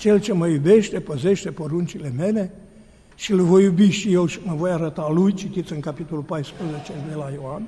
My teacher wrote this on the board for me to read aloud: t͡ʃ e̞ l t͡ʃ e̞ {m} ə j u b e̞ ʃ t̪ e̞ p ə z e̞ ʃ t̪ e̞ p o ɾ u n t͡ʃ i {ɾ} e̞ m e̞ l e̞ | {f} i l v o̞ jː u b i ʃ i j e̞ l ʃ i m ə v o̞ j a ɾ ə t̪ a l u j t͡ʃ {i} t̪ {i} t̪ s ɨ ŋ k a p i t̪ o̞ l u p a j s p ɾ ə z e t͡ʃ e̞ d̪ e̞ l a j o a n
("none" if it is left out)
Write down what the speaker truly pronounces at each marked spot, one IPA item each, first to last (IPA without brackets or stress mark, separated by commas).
m, l, ʃ, i, i